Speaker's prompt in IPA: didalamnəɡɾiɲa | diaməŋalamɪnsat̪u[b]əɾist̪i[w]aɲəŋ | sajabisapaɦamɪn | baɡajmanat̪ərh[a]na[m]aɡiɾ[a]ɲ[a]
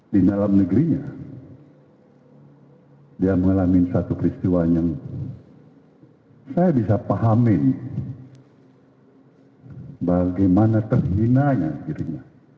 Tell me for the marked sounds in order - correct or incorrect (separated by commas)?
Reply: incorrect, correct, incorrect, incorrect, incorrect, correct